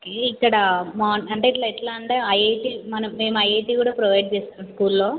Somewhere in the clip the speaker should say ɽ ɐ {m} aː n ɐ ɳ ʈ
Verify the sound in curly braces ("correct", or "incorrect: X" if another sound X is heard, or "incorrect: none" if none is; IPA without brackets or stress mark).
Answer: correct